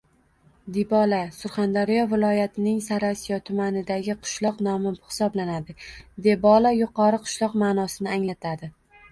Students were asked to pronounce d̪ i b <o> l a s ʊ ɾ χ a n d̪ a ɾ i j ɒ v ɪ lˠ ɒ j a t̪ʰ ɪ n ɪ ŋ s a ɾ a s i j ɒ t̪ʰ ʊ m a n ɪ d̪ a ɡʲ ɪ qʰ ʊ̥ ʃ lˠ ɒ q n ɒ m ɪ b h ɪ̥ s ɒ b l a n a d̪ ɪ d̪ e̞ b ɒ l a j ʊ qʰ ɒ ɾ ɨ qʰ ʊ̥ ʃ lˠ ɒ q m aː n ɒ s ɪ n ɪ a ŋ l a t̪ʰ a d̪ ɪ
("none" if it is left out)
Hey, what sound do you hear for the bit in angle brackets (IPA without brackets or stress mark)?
ɒ